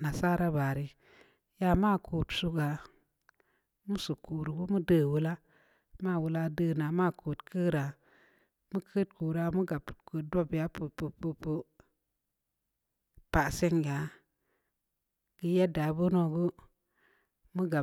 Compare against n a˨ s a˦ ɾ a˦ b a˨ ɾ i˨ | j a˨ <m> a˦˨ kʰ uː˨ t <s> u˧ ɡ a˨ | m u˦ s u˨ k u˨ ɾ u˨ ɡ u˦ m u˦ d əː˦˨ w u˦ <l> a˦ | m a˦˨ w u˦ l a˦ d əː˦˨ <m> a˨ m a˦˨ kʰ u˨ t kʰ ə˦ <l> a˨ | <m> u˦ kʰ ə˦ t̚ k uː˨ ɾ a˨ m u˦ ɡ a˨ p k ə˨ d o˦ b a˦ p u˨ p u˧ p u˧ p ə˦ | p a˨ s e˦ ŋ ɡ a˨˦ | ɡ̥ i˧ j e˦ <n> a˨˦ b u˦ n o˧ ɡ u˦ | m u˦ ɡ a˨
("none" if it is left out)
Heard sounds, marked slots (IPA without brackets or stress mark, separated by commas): m, s, l, n, ɾ, m, d